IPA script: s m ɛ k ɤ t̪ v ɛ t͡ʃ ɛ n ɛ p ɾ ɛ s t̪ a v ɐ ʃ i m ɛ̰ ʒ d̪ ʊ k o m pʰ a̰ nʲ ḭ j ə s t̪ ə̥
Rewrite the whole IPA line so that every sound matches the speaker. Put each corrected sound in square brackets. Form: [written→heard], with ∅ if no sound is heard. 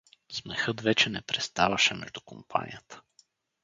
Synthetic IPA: s m ɛ [k→x] ɤ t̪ v ɛ t͡ʃ ɛ n ɛ p ɾ ɛ s t̪ a v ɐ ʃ [i→ɛ] m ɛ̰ ʒ d̪ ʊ k o m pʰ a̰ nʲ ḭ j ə [s→∅] t̪ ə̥